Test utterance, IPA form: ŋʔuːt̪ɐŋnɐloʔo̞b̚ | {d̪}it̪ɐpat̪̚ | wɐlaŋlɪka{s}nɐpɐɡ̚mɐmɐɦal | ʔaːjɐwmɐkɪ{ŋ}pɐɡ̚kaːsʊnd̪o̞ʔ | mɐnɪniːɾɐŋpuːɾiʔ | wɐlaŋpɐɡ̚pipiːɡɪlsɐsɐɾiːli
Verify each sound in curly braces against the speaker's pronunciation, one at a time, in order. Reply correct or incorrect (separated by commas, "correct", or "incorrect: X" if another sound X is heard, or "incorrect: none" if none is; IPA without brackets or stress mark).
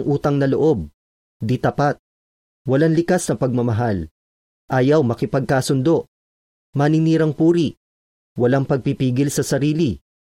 correct, correct, incorrect: none